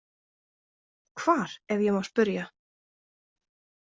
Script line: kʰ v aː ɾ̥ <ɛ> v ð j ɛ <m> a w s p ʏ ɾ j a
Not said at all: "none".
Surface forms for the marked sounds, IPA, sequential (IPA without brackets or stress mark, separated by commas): ɛ, m